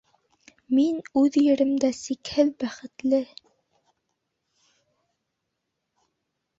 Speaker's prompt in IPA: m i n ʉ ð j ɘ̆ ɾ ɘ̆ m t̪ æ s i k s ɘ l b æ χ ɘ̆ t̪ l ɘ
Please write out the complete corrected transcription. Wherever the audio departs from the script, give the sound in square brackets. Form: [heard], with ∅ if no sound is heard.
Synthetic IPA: m i n ʉ ð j ɘ̆ ɾ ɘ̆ m [d̪] æ s i k [h] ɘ l b æ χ ɘ̆ t̪ l ɘ